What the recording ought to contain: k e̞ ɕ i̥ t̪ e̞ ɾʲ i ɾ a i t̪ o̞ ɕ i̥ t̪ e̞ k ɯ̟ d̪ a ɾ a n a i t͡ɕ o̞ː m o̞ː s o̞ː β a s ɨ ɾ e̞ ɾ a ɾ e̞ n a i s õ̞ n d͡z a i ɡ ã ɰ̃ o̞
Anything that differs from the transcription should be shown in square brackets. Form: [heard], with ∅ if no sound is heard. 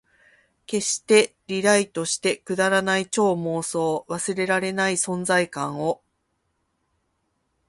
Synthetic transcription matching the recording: k e̞ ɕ i̥ t̪ e̞ ɾʲ i ɾ a i t̪ o̞ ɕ i̥ t̪ e̞ k ɯ̟ d̪ a ɾ a n a i t͡ɕ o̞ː m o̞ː s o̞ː β a s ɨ ɾ e̞ ɾ a ɾ e̞ n a i s õ̞ n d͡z a i [k] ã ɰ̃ o̞